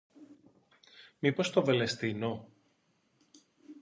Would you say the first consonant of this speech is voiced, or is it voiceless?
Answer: voiced